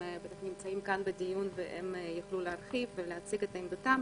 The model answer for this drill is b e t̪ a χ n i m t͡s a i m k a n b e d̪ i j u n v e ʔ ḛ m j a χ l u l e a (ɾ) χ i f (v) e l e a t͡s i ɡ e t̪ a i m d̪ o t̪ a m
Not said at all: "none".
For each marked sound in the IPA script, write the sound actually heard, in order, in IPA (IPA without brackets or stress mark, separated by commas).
ɾ, v